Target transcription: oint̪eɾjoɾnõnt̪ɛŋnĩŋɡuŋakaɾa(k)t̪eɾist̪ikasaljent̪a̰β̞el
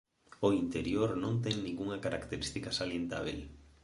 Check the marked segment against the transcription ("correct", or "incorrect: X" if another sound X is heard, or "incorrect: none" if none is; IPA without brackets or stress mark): correct